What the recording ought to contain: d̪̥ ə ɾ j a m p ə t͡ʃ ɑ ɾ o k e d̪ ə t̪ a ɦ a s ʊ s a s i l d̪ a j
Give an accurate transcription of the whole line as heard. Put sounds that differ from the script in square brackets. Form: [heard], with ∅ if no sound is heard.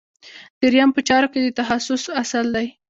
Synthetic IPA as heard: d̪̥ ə ɾ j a m p ə t͡ʃ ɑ ɾ o k e d̪ ə t̪ a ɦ a s ʊ s a s [a] l d̪ a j